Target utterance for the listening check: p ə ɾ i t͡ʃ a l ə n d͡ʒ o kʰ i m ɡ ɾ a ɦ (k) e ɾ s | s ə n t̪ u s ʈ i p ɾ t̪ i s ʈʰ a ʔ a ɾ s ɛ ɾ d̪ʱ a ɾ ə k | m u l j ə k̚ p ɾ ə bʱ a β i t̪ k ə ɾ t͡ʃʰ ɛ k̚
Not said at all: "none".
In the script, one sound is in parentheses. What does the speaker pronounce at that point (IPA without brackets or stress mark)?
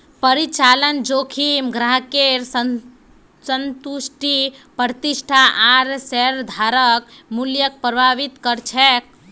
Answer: k